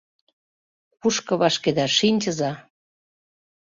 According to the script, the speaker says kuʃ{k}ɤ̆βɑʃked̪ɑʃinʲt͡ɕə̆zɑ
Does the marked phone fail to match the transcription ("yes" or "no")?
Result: no